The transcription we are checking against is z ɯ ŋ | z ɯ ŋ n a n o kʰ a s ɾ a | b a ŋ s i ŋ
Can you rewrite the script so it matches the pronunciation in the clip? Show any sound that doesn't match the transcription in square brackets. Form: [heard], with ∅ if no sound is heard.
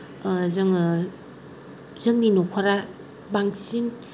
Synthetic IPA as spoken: z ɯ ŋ | z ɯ ŋ n [i] n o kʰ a [∅] ɾ a | b a ŋ s i [n]